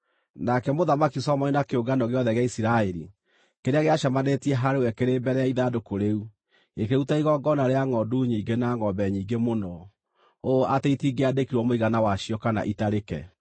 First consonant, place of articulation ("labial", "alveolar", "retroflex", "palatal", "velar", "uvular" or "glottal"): alveolar